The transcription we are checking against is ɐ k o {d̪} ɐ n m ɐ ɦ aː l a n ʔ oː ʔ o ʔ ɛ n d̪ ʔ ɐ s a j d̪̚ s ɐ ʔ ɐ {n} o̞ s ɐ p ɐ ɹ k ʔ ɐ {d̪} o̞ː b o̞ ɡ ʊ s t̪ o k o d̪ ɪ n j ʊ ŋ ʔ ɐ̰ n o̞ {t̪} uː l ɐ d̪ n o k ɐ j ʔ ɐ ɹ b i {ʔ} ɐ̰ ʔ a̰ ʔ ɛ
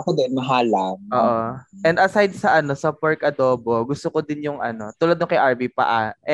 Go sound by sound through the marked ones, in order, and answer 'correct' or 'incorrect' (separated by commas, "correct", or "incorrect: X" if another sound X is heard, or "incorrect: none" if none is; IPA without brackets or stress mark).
correct, correct, correct, correct, incorrect: p